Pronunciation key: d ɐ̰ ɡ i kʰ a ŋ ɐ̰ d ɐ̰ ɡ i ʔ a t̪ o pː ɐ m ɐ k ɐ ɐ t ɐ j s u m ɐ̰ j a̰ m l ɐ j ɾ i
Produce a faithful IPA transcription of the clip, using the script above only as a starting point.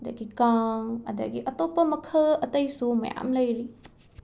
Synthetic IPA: d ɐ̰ ɡ i k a ŋ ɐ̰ d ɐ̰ ɡ i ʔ ɐ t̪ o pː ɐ m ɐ kʰ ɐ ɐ t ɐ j s u m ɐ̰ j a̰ m l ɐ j ɾ i